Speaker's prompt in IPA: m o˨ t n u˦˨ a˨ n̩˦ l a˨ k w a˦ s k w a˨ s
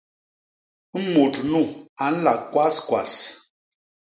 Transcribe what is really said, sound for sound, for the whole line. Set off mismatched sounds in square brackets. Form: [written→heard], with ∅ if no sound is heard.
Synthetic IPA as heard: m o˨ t n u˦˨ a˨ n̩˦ l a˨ k w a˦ s k w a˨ s